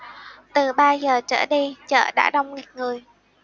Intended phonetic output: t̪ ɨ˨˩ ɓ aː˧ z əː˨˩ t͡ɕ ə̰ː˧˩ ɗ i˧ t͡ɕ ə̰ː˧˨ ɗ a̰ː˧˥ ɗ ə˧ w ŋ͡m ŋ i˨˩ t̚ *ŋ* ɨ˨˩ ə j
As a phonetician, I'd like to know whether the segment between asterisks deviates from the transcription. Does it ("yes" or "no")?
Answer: no